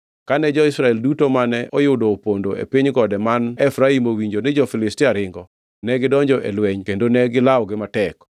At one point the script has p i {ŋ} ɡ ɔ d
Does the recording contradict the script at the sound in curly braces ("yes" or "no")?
yes